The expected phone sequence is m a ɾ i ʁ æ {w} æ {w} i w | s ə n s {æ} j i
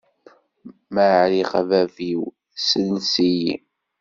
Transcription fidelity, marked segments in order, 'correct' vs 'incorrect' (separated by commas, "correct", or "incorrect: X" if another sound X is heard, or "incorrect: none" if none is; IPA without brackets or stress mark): incorrect: v, incorrect: v, incorrect: i